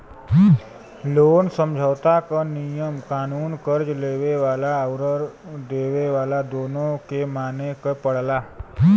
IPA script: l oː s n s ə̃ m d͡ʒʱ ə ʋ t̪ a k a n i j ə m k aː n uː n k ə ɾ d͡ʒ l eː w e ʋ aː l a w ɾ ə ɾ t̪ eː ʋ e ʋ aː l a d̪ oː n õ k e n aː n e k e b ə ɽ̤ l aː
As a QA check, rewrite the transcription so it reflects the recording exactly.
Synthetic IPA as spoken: l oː n s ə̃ m d͡ʒʱ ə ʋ t̪ a k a n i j ə m k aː n uː n k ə ɾ d͡ʒ l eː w e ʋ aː l a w ɾ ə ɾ d̪ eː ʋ e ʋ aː l a d̪ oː n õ k e m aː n e k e p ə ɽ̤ l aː